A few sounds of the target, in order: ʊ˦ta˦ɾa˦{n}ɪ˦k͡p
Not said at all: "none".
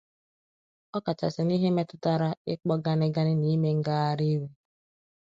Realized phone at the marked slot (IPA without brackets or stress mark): none